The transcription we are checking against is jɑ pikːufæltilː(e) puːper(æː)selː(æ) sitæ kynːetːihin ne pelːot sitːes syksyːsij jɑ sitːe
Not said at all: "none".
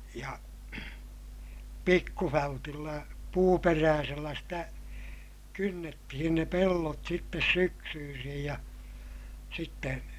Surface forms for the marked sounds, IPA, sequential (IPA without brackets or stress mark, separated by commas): æ, æː, æ